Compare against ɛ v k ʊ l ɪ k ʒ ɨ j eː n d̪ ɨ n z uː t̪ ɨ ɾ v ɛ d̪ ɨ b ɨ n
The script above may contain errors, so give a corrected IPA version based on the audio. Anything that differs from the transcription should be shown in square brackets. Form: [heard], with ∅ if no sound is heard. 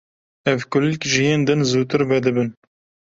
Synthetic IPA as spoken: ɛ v k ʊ l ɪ k ʒ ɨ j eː n d̪ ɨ n z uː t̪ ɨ ɾ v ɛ d̪ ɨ b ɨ n